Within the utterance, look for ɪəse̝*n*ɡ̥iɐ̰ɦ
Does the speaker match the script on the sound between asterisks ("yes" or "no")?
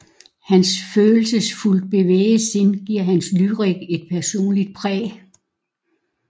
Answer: yes